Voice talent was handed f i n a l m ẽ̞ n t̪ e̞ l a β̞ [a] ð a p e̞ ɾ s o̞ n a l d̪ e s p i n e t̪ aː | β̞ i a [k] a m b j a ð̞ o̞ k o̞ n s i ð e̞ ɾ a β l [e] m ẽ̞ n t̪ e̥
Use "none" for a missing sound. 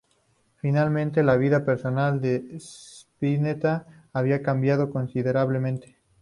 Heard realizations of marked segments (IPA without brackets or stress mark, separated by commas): i, k, e